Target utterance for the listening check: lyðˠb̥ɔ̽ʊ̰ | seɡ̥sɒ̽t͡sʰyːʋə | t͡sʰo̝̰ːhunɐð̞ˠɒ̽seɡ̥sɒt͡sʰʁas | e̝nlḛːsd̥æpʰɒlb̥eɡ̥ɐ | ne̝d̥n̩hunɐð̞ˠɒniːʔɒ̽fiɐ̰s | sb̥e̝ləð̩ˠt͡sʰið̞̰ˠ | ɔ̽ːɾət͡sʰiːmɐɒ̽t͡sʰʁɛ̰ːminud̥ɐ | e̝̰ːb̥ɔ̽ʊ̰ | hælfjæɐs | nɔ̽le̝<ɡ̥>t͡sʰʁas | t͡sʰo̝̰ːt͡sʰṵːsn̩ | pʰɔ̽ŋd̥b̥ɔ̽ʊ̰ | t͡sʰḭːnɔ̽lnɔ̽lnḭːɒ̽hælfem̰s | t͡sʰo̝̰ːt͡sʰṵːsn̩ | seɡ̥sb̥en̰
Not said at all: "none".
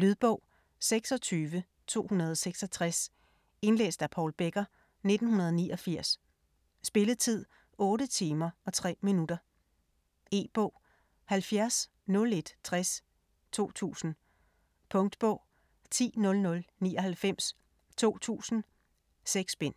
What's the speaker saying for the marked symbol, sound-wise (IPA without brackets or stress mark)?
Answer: d̥